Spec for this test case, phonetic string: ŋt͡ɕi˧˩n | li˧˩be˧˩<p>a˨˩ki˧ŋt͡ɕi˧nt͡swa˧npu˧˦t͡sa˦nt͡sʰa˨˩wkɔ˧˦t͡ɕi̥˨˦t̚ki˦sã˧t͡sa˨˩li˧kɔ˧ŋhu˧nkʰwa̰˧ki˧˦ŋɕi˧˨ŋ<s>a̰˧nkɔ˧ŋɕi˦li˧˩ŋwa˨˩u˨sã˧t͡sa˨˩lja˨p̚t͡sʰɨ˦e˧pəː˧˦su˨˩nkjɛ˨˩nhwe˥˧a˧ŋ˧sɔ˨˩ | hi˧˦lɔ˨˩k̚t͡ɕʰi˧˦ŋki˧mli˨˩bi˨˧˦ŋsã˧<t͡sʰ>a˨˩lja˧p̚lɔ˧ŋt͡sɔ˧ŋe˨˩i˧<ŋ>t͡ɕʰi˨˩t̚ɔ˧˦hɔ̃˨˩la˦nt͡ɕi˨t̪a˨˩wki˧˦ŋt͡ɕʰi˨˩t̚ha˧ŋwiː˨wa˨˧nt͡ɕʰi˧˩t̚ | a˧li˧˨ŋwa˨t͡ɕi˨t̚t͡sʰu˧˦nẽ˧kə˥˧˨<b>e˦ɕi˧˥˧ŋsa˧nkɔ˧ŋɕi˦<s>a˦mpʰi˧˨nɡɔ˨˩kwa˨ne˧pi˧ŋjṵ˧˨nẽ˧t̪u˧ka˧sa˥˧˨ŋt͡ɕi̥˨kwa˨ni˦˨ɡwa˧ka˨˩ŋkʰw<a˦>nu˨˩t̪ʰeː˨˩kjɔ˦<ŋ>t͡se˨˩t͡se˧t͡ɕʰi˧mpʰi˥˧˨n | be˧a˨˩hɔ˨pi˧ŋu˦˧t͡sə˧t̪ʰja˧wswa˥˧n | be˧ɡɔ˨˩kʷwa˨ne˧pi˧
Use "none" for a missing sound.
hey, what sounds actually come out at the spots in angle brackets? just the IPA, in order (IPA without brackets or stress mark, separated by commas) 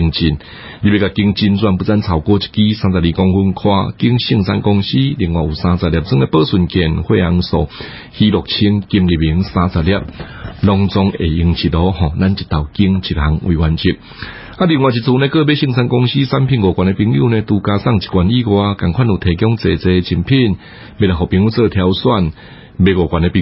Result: k, s, t͡s, ŋ, b, s, a˥˨, ŋ